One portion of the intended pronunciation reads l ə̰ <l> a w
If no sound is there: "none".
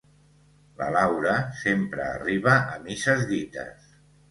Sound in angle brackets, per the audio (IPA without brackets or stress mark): l